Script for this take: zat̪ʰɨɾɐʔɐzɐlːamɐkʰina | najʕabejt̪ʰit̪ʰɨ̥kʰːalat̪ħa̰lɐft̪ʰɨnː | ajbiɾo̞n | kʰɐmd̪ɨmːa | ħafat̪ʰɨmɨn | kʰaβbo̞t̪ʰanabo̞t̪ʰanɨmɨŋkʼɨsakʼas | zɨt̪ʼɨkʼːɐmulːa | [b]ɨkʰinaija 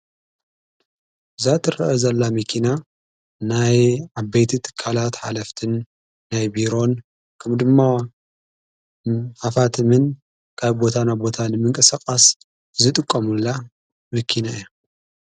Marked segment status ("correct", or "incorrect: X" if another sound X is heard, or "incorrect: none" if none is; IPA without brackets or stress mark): incorrect: m